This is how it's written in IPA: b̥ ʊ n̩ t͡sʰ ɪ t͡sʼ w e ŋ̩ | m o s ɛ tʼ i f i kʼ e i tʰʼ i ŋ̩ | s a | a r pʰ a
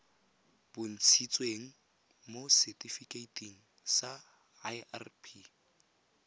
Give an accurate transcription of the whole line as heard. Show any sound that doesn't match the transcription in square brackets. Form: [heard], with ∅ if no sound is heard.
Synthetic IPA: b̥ ʊ n̩ t͡sʰ [i] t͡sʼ w e ŋ̩ | m o s ɛ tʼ i f i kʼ e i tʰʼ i ŋ̩ | s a | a r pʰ [i]